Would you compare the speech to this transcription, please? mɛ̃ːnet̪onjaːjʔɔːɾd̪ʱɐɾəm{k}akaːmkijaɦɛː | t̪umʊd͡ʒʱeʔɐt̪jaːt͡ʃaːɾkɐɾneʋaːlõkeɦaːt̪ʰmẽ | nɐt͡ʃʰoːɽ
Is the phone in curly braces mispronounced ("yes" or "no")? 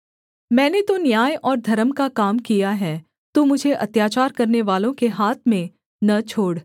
no